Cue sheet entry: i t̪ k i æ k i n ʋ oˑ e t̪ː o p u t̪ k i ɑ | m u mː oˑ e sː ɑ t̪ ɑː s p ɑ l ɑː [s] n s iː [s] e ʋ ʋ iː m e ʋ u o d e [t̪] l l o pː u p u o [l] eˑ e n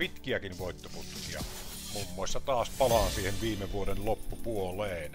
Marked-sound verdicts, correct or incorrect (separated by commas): incorrect, incorrect, incorrect, correct